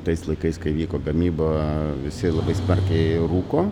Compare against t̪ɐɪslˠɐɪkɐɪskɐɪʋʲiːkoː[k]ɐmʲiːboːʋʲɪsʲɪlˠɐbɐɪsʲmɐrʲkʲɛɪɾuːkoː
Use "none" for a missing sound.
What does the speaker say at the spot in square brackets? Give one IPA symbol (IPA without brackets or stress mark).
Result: ɡ